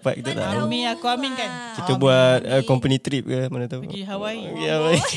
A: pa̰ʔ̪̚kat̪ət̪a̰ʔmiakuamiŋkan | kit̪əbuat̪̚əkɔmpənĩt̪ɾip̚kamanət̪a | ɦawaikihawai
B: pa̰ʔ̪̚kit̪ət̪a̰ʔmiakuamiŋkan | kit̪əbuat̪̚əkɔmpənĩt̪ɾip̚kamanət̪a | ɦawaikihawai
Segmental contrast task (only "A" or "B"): B